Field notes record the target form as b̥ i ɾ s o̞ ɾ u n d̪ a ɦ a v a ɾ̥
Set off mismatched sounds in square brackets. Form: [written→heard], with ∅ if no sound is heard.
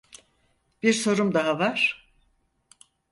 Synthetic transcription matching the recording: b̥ i ɾ s o̞ ɾ u [n→m] d̪ a ɦ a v a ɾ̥